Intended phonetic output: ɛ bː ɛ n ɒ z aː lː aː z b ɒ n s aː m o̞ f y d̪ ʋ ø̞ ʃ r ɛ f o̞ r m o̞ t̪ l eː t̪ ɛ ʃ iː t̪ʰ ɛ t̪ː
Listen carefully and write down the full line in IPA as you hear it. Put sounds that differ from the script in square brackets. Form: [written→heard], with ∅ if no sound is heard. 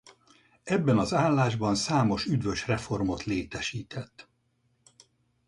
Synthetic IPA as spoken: ɛ bː ɛ n ɒ z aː lː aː [z→ʒ] b ɒ n s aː m o̞ [f→ʃ] y d̪ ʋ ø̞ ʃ r ɛ f o̞ r m o̞ t̪ l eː t̪ ɛ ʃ iː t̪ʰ ɛ t̪ː